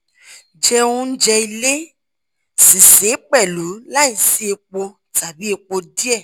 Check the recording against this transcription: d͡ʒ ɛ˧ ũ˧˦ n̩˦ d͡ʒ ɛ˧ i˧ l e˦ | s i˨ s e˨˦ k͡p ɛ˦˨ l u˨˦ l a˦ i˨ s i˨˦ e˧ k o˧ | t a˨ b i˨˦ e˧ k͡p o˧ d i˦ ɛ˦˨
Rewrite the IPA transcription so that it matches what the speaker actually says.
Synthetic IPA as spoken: d͡ʒ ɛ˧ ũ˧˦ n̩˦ d͡ʒ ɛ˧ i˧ l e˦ | s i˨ s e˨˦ k͡p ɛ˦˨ l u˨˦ l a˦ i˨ s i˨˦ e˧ k͡p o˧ | t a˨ b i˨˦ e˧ k͡p o˧ d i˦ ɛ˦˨